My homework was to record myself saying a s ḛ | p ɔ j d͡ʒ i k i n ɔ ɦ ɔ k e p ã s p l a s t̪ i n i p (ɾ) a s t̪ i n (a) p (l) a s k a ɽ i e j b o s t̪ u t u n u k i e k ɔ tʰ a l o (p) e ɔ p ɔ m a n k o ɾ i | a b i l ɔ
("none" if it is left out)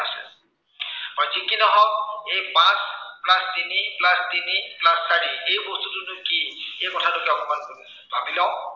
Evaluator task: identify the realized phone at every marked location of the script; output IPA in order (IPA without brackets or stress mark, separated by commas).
l, i, l, k